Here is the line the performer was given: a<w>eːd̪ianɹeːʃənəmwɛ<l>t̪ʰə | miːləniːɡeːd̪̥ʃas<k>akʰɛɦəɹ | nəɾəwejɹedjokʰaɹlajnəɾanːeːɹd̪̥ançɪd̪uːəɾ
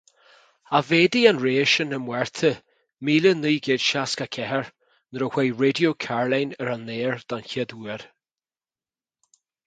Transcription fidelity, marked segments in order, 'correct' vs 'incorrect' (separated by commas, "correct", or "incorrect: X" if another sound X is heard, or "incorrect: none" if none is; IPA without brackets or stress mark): incorrect: v, incorrect: ɹ, correct